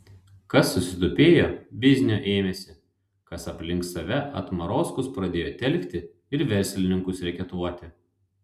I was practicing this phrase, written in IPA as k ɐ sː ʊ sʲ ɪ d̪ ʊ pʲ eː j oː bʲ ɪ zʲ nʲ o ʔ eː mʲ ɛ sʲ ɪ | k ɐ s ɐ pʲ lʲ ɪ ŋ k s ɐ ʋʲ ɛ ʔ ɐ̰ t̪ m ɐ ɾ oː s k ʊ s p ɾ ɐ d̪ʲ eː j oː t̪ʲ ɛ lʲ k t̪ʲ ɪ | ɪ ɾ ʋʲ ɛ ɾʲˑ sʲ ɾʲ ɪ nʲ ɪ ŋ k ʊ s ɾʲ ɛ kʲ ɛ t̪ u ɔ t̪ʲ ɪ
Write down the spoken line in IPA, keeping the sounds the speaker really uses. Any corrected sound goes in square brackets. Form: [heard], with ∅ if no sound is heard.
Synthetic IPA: k ɐ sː ʊ sʲ ɪ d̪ ʊ pʲ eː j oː bʲ ɪ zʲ nʲ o ʔ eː mʲ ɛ sʲ ɪ | k ɐ s ɐ pʲ lʲ ɪ ŋ k s ɐ ʋʲ ɛ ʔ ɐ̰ t̪ m ɐ ɾ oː s k ʊ s p ɾ ɐ d̪ʲ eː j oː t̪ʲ ɛ lʲ k t̪ʲ ɪ | ɪ ɾ ʋʲ ɛ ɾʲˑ sʲ [lʲ] ɪ nʲ ɪ ŋ k ʊ s ɾʲ ɛ kʲ ɛ t̪ u ɔ t̪ʲ ɪ

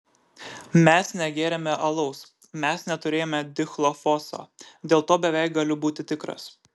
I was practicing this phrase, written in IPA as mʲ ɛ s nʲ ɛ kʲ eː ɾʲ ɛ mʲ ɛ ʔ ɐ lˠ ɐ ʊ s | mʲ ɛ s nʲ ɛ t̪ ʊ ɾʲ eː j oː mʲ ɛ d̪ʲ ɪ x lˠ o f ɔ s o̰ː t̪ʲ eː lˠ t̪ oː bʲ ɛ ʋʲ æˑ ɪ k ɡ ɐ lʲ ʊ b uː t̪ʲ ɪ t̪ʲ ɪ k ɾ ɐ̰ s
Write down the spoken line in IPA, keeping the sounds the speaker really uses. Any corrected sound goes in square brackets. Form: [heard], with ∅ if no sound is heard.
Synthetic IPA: mʲ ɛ s nʲ ɛ [ɡʲ] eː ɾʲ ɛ mʲ ɛ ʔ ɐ lˠ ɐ ʊ s | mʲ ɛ s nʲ ɛ t̪ ʊ ɾʲ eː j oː mʲ ɛ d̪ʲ ɪ x lˠ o f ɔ s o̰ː [d̪ʲ] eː lˠ t̪ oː bʲ ɛ ʋʲ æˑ ɪ k ɡ ɐ lʲ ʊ b uː t̪ʲ ɪ t̪ʲ ɪ k ɾ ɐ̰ s

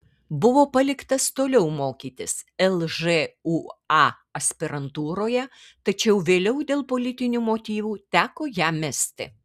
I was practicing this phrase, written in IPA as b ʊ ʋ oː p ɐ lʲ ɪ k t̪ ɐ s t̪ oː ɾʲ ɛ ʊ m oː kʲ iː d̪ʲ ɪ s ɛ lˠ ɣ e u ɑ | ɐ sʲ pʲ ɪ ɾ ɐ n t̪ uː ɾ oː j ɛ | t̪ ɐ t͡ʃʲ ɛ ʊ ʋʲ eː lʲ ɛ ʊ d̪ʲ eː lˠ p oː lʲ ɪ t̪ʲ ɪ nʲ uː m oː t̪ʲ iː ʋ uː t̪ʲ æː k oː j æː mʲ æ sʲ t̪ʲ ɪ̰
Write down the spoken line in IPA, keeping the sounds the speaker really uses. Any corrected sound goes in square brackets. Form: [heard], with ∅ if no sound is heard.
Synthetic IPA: b ʊ ʋ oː p ɐ lʲ ɪ k t̪ ɐ s t̪ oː [lʲ] ɛ ʊ m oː kʲ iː [t̪ʲ] ɪ s ɛ lˠ [ʒ] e u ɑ | ɐ sʲ pʲ ɪ ɾ ɐ n t̪ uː ɾ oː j ɛ | t̪ ɐ t͡ʃʲ ɛ ʊ ʋʲ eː lʲ ɛ ʊ d̪ʲ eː lˠ p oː lʲ ɪ t̪ʲ ɪ nʲ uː m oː t̪ʲ iː ʋ uː t̪ʲ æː k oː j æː mʲ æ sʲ t̪ʲ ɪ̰

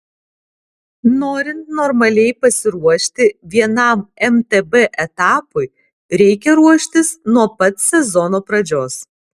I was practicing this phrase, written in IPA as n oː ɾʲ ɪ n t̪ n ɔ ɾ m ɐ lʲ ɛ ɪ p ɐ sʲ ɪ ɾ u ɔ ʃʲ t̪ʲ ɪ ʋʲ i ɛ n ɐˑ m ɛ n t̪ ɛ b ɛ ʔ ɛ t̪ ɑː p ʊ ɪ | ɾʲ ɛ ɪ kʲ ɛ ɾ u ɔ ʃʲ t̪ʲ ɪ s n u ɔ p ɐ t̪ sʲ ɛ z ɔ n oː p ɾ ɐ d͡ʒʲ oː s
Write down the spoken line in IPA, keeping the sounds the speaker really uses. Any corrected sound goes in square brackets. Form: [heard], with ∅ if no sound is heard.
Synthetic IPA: n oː ɾʲ ɪ n t̪ n ɔ ɾ m ɐ lʲ ɛ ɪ p ɐ sʲ ɪ ɾ u ɔ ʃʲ t̪ʲ ɪ ʋʲ i ɛ n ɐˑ m ɛ [m] t̪ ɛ b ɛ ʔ ɛ t̪ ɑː p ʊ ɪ | ɾʲ ɛ ɪ kʲ ɛ ɾ u ɔ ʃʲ t̪ʲ ɪ s n u ɔ p ɐ t̪ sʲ ɛ z ɔ n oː p ɾ ɐ d͡ʒʲ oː s

